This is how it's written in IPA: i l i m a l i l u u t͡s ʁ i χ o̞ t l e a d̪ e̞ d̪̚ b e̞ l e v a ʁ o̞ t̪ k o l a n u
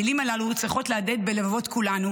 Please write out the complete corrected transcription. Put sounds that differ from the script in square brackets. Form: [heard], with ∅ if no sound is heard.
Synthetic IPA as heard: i l i m a l [a] l u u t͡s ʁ i χ o̞ t l e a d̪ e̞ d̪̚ b e̞ l e v a [v] o̞ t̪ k [u] l a n u